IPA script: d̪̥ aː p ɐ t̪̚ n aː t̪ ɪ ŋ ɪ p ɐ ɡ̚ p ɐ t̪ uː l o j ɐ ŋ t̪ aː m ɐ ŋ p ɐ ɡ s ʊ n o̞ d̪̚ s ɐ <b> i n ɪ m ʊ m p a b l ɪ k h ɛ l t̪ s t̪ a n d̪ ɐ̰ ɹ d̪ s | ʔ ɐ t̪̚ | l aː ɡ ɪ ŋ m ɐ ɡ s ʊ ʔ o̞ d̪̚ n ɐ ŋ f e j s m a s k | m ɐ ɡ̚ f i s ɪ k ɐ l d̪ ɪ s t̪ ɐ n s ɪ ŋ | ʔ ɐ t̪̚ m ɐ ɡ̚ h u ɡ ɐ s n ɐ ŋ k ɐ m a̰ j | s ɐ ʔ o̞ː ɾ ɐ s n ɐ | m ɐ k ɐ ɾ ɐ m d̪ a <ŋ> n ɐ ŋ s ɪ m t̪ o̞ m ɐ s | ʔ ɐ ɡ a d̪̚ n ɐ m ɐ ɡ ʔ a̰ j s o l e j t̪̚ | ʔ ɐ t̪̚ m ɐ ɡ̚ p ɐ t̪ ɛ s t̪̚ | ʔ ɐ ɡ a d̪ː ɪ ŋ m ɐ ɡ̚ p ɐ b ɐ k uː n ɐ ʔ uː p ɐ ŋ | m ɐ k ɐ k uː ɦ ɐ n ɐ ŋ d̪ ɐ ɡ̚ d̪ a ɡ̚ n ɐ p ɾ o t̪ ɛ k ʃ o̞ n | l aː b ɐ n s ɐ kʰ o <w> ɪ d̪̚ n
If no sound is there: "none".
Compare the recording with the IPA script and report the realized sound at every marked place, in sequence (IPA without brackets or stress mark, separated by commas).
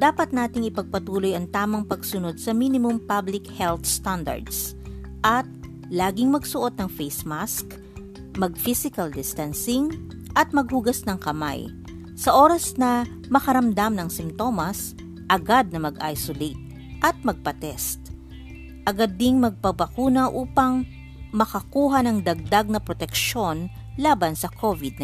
m, m, v